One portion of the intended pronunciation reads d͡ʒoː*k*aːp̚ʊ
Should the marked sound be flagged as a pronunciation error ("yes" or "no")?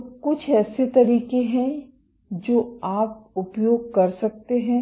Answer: yes